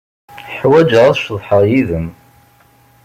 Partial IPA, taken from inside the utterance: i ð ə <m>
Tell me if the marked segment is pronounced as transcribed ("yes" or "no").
yes